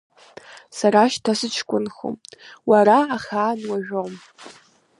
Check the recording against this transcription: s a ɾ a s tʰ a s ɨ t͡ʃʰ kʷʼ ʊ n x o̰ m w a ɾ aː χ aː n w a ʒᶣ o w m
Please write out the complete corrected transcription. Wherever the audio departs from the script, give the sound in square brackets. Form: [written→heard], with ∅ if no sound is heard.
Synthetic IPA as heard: s a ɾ a [s→ʃ] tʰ a s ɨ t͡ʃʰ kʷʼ ʊ n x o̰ m w a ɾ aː χ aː n w a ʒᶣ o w m